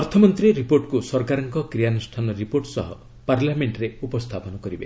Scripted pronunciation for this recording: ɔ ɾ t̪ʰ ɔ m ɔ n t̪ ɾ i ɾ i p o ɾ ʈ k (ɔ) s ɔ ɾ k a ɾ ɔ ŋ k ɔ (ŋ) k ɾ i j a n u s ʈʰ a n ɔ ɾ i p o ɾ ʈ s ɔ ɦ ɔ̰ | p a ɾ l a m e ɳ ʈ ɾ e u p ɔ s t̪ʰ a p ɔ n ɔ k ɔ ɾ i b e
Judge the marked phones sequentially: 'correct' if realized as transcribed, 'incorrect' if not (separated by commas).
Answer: incorrect, incorrect